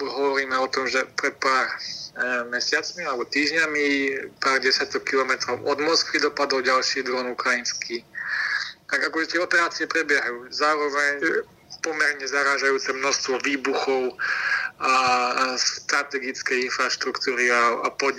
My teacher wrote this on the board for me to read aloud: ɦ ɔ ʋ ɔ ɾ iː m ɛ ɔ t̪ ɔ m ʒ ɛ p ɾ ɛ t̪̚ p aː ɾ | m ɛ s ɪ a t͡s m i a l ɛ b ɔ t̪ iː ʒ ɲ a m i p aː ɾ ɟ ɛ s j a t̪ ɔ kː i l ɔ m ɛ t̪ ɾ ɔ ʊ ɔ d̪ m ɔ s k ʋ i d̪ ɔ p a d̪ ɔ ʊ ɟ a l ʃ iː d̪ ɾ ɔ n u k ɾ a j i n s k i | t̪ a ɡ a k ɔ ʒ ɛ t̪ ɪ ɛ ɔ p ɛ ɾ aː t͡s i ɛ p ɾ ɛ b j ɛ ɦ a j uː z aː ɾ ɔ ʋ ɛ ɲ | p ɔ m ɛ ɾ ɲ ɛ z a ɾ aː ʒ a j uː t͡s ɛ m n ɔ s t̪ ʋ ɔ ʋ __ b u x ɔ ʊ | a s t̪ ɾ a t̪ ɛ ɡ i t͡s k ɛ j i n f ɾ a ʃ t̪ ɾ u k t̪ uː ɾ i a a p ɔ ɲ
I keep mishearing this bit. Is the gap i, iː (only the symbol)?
iː